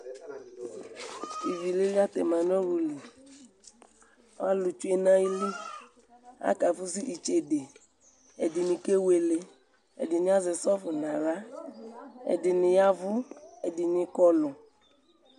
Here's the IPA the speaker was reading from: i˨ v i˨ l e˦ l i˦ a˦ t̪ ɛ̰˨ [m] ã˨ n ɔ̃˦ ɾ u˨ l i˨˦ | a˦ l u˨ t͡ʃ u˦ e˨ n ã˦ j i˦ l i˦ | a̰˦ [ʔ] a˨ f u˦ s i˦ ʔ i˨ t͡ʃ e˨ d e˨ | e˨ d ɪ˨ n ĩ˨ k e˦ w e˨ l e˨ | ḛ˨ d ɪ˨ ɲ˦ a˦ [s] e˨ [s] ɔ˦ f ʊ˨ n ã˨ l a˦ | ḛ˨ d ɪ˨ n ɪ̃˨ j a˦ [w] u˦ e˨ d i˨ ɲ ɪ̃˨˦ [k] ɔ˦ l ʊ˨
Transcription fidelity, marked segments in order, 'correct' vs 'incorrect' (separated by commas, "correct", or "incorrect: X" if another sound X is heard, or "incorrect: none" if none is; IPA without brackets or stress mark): correct, incorrect: k, incorrect: z, correct, incorrect: v, correct